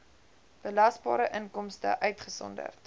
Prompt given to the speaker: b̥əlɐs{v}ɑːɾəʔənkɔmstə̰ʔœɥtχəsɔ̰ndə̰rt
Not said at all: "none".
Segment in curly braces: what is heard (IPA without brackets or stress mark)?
b